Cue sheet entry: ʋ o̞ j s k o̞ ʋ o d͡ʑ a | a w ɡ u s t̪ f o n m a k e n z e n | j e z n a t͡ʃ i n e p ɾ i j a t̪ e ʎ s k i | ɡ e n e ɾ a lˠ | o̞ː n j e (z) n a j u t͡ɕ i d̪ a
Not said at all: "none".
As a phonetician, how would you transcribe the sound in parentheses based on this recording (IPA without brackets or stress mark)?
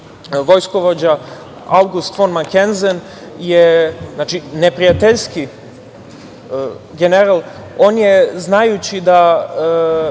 z